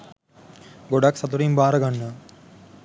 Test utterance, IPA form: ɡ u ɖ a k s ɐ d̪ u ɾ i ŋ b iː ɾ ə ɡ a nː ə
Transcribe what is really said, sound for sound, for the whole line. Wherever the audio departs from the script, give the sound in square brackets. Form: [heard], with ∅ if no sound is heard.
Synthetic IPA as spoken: ɡ [o] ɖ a k s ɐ [t̪] u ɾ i [m] b [aː] ɾ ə ɡ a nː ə